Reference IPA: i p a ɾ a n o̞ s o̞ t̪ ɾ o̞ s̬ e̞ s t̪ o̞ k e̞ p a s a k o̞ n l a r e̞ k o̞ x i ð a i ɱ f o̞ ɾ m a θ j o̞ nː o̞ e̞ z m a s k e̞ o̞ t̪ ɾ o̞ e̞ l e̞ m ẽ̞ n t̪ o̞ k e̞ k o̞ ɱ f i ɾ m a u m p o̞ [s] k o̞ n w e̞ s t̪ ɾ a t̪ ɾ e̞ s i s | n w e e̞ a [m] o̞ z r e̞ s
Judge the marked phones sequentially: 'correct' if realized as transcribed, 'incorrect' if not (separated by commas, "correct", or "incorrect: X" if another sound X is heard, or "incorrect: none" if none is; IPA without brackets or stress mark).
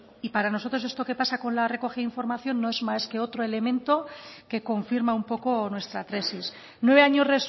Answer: incorrect: none, incorrect: ɲ